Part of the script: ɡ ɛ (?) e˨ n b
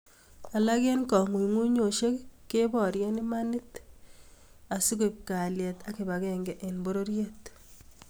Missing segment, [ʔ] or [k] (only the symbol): ʔ